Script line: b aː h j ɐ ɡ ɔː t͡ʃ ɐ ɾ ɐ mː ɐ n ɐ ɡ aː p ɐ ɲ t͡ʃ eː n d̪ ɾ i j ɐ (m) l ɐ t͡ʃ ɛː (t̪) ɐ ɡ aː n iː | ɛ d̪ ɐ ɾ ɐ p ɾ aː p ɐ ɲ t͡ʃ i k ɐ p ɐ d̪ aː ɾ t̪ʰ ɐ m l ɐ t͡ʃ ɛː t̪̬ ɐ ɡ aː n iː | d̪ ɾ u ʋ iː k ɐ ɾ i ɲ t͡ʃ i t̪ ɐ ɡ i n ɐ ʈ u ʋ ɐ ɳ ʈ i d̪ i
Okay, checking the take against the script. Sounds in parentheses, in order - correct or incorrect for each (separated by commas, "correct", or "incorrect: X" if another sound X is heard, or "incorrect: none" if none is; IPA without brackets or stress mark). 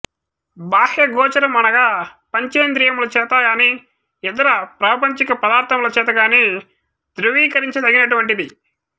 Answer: correct, correct